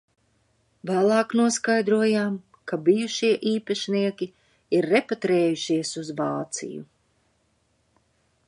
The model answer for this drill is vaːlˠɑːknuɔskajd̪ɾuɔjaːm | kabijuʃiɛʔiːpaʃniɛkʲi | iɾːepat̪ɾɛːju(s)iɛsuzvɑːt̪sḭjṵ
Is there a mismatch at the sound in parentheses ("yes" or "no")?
yes